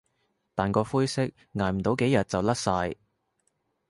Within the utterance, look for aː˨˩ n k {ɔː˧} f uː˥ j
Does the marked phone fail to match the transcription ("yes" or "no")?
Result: no